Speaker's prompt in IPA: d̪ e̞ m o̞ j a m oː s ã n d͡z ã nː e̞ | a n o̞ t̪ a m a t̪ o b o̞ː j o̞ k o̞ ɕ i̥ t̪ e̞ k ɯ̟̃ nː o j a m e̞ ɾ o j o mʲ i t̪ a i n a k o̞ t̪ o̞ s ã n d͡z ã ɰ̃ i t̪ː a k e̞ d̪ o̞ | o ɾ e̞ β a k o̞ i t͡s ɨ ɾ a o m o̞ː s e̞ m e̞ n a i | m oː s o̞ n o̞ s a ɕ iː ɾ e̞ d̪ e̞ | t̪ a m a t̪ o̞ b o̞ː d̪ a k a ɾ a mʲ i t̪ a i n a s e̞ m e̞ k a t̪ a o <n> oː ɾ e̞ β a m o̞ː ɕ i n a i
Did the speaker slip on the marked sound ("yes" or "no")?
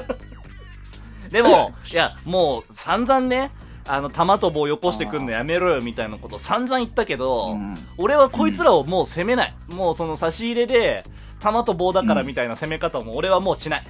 yes